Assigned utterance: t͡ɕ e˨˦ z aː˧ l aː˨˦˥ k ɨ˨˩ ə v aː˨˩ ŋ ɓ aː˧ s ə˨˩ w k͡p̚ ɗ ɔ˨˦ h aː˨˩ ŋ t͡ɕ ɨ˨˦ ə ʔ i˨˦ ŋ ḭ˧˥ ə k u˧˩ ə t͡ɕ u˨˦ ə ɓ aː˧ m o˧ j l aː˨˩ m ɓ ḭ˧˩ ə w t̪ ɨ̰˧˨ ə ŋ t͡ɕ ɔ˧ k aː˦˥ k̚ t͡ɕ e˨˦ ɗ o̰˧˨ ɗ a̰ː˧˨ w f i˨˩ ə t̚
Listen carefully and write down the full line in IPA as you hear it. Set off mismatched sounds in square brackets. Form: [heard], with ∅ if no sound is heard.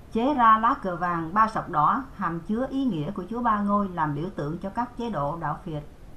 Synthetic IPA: t͡ɕ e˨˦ z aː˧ l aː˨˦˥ k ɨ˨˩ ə v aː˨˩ ŋ ɓ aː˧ s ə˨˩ w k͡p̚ ɗ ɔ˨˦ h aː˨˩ [m] t͡ɕ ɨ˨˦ ə ʔ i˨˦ ŋ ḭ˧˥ ə k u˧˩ ə t͡ɕ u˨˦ ə ɓ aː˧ [ŋ] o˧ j l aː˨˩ m ɓ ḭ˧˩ ə w t̪ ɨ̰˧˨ ə ŋ t͡ɕ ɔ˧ k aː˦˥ k̚ t͡ɕ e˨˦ ɗ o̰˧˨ ɗ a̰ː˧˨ w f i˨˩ ə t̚